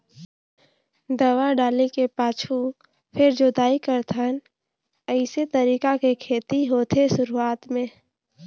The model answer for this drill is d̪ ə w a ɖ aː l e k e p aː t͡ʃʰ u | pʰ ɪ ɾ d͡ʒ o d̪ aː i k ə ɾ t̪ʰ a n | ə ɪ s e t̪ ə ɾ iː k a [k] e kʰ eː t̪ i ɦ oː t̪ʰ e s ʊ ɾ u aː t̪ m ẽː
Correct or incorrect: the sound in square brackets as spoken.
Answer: correct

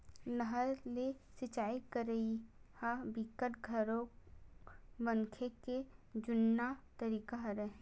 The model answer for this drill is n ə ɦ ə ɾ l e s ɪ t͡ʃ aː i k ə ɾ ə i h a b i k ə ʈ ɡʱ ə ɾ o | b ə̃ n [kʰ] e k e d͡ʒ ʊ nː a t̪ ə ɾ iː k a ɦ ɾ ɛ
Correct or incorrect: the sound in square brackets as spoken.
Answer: correct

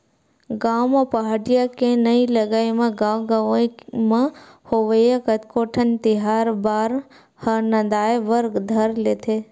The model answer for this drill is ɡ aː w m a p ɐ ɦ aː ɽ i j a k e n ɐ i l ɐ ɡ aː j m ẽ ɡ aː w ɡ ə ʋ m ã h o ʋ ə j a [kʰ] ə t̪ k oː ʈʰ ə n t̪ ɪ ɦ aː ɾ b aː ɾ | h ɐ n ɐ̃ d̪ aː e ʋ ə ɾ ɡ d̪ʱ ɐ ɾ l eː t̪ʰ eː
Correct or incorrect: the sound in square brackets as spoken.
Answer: incorrect: k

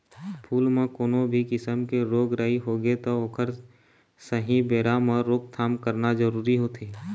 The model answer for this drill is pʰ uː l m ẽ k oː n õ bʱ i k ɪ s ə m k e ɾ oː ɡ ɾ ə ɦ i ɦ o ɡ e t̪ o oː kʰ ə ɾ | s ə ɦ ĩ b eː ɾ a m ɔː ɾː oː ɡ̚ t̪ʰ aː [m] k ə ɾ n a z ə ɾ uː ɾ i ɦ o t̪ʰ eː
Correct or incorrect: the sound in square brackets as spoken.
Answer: correct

